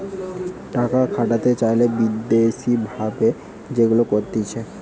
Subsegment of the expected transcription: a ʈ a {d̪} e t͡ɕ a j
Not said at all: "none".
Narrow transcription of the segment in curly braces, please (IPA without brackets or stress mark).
t̪